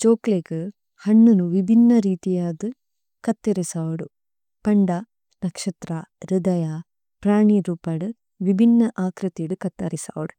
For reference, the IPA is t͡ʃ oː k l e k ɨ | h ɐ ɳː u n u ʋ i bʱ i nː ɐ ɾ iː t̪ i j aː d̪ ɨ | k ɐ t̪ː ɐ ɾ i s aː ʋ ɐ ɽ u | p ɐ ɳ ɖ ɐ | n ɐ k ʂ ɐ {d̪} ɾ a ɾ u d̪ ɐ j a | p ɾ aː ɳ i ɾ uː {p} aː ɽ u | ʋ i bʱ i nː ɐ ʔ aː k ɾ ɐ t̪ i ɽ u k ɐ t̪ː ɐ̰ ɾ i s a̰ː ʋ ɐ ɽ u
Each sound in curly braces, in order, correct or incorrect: incorrect: t̪, correct

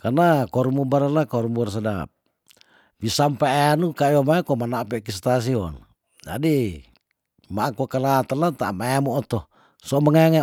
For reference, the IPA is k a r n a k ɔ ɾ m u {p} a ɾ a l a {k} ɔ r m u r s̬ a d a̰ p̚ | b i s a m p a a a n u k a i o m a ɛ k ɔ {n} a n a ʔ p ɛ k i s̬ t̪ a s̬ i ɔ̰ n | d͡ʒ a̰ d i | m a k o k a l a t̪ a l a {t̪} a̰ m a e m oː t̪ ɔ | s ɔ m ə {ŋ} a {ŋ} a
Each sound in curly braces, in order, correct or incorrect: incorrect: b, correct, incorrect: m, correct, correct, correct

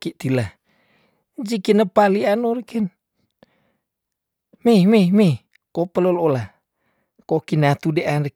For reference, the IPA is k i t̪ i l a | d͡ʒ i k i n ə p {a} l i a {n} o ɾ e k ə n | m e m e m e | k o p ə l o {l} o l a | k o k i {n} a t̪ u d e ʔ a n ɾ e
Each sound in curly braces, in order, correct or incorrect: correct, correct, correct, correct

